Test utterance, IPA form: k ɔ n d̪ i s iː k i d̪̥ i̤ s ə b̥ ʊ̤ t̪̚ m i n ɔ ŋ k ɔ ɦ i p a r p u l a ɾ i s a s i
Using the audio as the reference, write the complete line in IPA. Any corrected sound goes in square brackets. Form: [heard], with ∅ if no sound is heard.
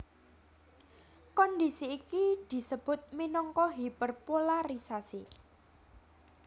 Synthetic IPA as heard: k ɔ n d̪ i s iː k i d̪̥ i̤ s ə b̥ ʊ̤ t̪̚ m i n ɔ ŋ k ɔ ɦ i p [ə] r p [o] l a ɾ i s a s i